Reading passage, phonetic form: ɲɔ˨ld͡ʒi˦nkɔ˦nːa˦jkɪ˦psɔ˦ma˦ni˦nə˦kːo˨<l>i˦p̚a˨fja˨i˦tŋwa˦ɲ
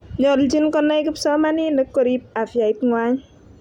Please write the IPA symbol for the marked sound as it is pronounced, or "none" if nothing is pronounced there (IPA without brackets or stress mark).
ɾ